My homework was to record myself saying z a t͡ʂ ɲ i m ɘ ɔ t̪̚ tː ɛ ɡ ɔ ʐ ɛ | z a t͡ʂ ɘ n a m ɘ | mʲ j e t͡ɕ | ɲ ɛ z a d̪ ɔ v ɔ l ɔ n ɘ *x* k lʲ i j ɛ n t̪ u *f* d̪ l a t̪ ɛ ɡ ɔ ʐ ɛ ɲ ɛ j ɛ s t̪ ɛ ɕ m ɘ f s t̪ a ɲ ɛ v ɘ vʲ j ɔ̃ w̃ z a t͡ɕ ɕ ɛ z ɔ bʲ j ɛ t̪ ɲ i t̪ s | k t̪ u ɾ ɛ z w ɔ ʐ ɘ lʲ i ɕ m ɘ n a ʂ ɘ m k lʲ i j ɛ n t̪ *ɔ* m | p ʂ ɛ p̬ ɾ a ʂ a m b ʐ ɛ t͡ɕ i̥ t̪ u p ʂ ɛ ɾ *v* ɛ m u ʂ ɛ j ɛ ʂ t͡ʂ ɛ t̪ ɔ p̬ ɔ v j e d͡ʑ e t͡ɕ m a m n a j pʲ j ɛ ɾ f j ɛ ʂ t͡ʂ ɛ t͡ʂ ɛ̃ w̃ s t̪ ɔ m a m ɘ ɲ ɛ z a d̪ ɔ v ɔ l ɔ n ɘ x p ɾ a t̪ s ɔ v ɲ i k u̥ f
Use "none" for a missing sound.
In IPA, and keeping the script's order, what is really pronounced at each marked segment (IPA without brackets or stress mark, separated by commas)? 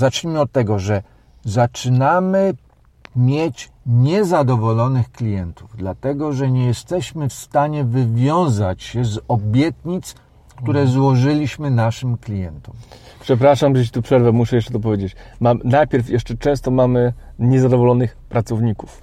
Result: x, v, ɔ, v